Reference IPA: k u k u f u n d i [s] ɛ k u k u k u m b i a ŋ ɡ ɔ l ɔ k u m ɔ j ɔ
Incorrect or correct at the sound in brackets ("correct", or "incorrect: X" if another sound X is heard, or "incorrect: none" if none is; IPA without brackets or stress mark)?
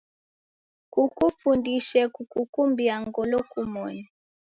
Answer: incorrect: ʃ